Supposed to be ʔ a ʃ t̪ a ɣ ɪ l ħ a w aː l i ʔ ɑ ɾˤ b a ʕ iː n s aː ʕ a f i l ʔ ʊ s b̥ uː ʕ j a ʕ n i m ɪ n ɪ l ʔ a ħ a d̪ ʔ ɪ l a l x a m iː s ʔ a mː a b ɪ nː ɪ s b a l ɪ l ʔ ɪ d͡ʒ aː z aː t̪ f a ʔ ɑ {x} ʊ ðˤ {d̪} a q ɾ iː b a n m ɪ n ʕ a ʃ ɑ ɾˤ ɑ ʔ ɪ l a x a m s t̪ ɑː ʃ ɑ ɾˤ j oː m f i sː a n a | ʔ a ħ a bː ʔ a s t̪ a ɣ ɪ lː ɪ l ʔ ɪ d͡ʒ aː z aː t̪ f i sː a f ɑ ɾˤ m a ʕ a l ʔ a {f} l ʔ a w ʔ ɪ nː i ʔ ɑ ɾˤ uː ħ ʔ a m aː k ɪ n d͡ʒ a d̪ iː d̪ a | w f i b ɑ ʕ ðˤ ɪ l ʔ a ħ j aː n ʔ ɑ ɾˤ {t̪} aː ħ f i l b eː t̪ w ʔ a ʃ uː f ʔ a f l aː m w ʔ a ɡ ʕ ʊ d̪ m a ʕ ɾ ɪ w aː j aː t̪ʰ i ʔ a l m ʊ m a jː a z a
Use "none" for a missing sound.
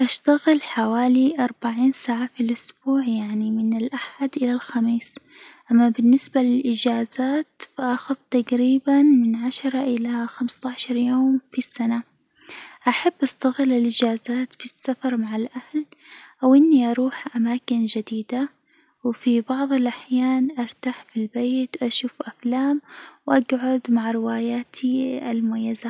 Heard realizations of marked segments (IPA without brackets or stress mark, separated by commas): x, t̪, h, t̪